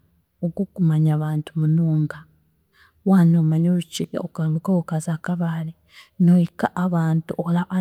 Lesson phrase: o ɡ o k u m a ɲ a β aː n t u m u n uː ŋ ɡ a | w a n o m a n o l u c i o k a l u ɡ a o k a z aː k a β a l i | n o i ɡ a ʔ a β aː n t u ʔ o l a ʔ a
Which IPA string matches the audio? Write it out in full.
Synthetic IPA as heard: o ɡ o k u m a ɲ a β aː n t u m u n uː ŋ ɡ a | w a n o m a ɲ o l u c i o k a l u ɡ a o k a z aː k a β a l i | n o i k a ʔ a β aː n t u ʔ o l a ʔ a